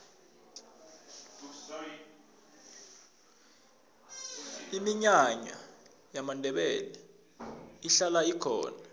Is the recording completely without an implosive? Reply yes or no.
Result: no